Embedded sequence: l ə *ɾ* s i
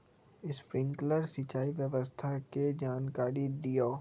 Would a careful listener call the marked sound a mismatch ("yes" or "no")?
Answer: no